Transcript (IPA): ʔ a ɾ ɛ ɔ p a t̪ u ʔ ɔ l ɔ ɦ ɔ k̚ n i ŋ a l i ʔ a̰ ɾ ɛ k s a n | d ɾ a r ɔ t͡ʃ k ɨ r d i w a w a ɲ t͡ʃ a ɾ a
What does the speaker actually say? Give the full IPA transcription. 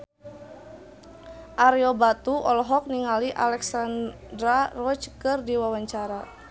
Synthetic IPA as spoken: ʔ a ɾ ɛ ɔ b a t̪ u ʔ ɔ l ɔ ɦ ɔ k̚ n i ŋ a l i ʔ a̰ l ɛ k s a n | d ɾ a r ɔ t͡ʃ k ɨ r d i w a w a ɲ t͡ʃ a ɾ a

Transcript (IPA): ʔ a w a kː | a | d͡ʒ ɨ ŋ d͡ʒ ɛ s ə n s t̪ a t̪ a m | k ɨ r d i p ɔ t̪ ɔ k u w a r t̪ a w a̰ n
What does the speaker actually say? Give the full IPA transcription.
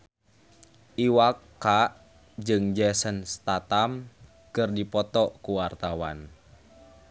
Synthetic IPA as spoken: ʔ i w a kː | a | d͡ʒ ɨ ŋ d͡ʒ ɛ s ə n s t̪ a t̪ a m | k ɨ r d i p ɔ t̪ ɔ k u w a r t̪ a w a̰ n

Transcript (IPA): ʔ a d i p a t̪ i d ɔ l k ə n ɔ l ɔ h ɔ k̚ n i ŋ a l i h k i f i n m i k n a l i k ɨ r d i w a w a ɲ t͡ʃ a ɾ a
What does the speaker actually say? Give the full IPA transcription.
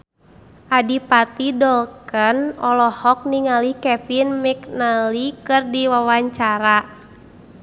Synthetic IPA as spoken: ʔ a d i p a t̪ i d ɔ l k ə n ɔ l ɔ h ɔ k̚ n i ŋ a l i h k ɛ f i n m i k n a l i k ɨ r d i w a w a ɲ t͡ʃ a ɾ a

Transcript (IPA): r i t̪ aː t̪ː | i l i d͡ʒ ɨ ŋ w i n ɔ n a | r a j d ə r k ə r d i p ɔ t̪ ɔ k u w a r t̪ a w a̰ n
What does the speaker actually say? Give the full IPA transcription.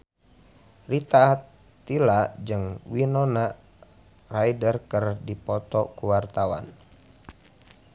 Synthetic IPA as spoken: r i t̪ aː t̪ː | i l a d͡ʒ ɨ ŋ w i n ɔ n a | r a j d ə r k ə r d i p ɔ t̪ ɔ k u w a r t̪ a w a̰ n

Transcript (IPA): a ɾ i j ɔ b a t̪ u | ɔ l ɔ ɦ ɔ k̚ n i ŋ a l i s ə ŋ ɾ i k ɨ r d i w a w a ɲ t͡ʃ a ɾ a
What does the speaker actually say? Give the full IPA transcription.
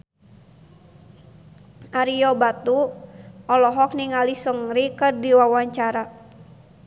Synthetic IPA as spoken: a ɾ i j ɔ b a t̪ u | ɔ l ɔ ɦ ɔ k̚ n i ŋ a l i s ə ŋ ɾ i k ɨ r d i w a w a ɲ t͡ʃ a ɾ a

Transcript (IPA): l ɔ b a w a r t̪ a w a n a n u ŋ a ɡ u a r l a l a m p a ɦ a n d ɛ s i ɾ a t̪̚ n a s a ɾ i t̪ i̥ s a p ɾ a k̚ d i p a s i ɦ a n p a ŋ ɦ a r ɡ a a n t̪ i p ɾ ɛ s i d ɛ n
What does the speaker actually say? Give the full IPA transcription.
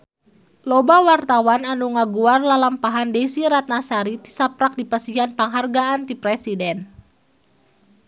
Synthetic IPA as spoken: l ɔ b a w a r t̪ a w a n a n u ŋ a ɡ u a r l a l a m p a ɦ a n d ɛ s i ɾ a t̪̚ n a s a ɾ i t̪ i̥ s a p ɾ a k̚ d i p a s i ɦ a n p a ŋ ɦ a r ɡ a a n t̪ i p ɾ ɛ s i d ɛ n

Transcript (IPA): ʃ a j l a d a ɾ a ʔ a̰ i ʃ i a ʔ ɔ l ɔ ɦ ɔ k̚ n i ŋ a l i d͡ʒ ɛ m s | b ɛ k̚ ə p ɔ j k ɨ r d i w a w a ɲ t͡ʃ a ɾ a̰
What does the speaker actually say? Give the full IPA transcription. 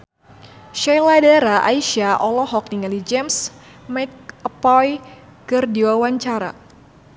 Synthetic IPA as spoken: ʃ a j l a d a ɾ a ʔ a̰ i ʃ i a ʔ ɔ l ɔ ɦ ɔ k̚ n i ŋ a l i d͡ʒ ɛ m s | m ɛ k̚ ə p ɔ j k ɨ r d i w a w a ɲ t͡ʃ a ɾ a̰

